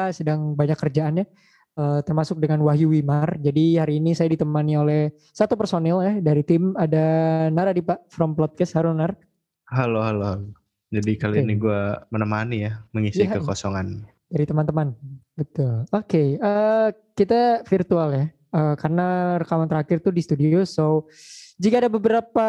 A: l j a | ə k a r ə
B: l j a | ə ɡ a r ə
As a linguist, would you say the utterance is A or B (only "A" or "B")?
A